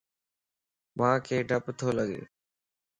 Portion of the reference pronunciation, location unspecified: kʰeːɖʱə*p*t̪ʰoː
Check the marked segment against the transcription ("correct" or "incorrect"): correct